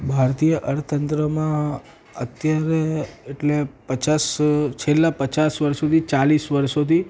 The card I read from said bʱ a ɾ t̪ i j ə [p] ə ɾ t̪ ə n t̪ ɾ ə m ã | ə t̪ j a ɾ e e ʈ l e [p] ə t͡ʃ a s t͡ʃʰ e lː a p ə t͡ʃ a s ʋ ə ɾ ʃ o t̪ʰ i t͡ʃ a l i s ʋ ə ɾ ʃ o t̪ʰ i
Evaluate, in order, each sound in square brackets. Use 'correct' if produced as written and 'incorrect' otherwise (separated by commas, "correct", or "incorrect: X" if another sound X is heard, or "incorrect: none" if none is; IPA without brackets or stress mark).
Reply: incorrect: ʔ, correct